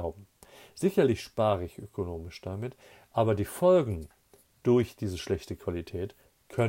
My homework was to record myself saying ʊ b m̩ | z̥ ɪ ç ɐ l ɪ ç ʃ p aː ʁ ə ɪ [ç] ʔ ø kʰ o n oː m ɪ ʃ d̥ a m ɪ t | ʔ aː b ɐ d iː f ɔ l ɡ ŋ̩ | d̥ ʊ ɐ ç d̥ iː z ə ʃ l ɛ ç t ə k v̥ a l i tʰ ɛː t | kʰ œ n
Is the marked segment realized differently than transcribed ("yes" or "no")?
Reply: no